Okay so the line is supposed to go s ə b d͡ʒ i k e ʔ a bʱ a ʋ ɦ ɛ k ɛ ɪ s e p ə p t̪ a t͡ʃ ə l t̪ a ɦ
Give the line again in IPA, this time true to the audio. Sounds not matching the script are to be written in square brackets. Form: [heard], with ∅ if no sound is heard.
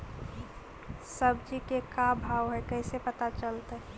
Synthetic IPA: s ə b d͡ʒ i k e [k] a bʱ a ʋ ɦ ɛ k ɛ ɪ s e p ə [∅] t̪ a t͡ʃ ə l t̪ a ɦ